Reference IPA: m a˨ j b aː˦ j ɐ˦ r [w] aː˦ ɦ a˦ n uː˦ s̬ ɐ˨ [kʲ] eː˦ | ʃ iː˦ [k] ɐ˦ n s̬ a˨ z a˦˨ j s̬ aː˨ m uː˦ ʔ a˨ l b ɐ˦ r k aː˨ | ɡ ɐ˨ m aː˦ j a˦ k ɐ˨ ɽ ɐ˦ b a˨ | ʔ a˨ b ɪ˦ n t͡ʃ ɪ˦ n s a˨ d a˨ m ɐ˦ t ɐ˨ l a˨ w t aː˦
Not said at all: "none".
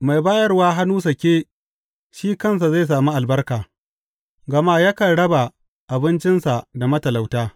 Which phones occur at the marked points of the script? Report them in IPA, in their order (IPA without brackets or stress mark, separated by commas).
w, kʲ, k